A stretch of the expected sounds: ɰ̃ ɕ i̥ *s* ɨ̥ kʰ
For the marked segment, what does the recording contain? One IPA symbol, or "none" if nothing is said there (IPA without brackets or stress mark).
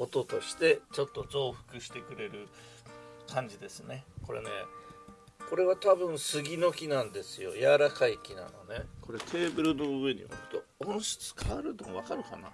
t͡s